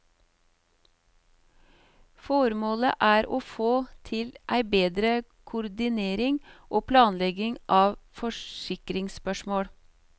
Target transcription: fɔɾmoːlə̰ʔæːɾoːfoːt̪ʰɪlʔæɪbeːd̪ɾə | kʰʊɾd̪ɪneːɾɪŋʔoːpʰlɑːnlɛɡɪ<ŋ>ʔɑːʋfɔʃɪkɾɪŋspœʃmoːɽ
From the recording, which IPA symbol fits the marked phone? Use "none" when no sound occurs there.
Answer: ŋ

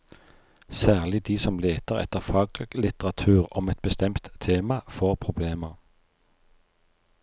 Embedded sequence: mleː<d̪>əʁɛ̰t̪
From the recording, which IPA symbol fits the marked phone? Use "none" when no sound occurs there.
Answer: t̪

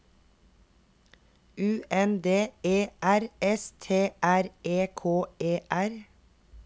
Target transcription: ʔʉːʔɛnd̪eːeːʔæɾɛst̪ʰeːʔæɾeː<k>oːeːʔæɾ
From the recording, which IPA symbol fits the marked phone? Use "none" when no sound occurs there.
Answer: kʰ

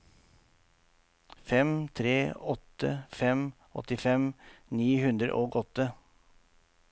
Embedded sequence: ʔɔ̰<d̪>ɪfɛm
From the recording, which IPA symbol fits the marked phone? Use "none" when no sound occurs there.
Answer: t̪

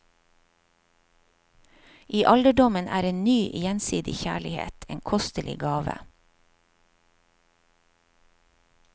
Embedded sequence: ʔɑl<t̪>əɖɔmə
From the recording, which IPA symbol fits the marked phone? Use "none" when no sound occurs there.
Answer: d̪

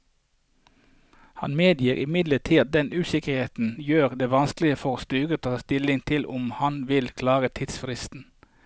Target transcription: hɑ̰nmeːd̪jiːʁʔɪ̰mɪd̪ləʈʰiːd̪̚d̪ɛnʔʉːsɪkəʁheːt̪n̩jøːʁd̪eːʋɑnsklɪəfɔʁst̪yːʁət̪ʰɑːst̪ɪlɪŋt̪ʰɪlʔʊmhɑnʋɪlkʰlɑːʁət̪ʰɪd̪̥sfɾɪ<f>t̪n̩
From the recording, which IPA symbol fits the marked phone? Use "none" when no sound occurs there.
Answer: s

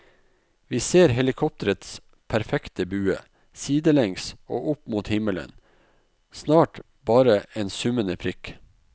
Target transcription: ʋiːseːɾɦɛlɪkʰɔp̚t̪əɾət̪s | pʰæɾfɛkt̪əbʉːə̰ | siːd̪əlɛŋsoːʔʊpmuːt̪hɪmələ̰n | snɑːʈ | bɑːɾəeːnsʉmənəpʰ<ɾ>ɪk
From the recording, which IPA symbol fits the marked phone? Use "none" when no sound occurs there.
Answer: ɾ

